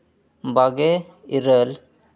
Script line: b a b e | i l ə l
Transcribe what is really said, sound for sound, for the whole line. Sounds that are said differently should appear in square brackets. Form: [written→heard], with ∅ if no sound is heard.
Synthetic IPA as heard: b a [b→ɡ] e | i [l→ɾ] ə l